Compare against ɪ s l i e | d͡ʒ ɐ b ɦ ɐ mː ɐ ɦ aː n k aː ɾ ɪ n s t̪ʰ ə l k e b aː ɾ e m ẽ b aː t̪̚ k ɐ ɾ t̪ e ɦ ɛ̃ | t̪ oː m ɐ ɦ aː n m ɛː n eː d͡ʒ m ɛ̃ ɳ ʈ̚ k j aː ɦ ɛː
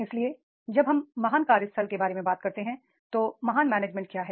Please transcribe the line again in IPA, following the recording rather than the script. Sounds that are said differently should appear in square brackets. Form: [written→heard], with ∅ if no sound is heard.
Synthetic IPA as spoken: ɪ s l i e | d͡ʒ ɐ b ɦ ɐ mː ɐ ɦ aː n k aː ɾ ɪ [n→∅] s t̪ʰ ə l k e b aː ɾ e m ẽ b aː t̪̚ k ɐ ɾ t̪ e ɦ ɛ̃ | t̪ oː m ɐ ɦ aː n m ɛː n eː d͡ʒ m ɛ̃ ɳ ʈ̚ k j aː ɦ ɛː